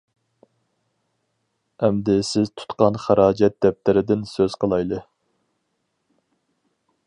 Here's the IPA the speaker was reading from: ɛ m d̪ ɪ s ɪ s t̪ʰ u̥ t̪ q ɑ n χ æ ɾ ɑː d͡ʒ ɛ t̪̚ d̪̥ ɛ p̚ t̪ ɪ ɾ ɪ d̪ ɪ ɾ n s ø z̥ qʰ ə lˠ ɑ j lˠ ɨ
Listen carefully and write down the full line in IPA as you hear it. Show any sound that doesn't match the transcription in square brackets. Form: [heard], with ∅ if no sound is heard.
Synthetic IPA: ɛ m d̪ ɪ s ɪ [z] t̪ʰ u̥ t̪ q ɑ n χ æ ɾ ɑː d͡ʒ ɛ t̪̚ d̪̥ ɛ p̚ t̪ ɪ ɾ ɪ d̪ ɪ [∅] n s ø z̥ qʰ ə lˠ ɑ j lˠ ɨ

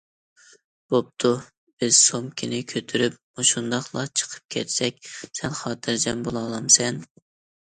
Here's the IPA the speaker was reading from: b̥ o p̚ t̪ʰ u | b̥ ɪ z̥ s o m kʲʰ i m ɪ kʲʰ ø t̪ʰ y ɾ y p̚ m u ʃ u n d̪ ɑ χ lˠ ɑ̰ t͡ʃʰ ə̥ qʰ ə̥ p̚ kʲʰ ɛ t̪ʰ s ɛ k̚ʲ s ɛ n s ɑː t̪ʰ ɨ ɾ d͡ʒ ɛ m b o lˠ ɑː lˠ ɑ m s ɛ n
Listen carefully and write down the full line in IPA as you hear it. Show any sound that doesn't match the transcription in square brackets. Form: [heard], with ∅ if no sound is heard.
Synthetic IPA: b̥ o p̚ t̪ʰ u | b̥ ɪ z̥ s o m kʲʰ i [n] ɪ kʲʰ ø t̪ʰ y ɾ y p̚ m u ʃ u n d̪ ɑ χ lˠ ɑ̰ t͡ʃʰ ə̥ qʰ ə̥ p̚ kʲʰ ɛ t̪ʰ s ɛ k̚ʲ s ɛ n [χ] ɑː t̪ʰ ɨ ɾ d͡ʒ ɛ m b o lˠ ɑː lˠ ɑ m s ɛ n

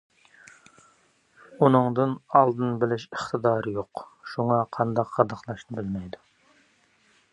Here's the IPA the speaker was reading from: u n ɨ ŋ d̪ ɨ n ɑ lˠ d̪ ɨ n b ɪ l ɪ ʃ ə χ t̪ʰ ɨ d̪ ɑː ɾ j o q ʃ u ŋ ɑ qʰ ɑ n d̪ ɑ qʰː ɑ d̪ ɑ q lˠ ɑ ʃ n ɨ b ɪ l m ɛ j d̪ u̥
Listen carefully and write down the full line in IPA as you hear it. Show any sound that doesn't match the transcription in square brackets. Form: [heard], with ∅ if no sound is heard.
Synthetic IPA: u n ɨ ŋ d̪ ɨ n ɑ lˠ d̪ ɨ n b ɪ l ɪ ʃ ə χ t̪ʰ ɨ d̪ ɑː ɾ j o q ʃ u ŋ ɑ qʰ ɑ n d̪ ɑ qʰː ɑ d̪ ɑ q lˠ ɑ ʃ n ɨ b ɪ l m ɛ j d̪ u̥

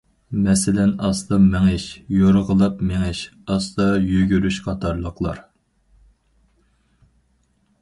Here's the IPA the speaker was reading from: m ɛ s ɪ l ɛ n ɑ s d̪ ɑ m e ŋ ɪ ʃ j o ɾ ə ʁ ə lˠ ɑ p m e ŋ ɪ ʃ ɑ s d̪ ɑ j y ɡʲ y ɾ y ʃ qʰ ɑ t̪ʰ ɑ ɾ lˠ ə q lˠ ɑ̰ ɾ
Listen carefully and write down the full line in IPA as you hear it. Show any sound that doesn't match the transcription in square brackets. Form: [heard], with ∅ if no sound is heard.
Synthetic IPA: m ɛ s ɪ l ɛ n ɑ s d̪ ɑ m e ŋ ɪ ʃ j o ɾ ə ʁ ə lˠ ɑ p m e ŋ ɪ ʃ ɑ s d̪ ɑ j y ɡʲ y ɾ y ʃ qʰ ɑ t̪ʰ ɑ ɾ lˠ ə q lˠ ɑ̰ ɾ

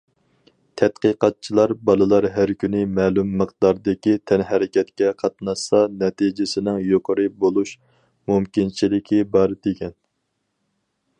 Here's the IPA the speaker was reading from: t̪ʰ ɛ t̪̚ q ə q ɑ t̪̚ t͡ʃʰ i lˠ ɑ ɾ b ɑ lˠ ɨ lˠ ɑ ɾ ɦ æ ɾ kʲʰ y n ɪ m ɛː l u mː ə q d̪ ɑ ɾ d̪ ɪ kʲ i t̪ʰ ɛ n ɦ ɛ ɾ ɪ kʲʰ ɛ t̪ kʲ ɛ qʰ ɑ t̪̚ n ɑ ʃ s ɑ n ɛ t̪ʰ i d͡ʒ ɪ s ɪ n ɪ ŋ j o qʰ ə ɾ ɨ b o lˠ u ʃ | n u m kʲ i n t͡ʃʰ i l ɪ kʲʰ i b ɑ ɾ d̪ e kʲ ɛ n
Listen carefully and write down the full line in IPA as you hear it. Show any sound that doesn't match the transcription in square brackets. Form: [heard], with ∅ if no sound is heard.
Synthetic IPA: t̪ʰ ɛ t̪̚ q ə q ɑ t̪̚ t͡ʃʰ i lˠ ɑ ɾ b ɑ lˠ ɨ lˠ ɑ ɾ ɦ æ ɾ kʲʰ y n ɪ m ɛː l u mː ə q d̪ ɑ ɾ d̪ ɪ kʲ i t̪ʰ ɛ n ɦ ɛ ɾ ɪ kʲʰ ɛ t̪ kʲ ɛ qʰ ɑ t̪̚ n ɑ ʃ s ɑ n ɛ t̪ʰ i d͡ʒ ɪ s ɪ n ɪ ŋ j o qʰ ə ɾ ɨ b o lˠ u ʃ | [m] u m kʲ i n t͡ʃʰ i l ɪ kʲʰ i b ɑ ɾ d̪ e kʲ ɛ n

